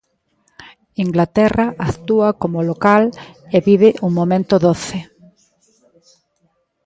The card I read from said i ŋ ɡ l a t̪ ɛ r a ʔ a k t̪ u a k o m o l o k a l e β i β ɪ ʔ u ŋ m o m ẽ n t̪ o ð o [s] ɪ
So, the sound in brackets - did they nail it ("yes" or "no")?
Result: no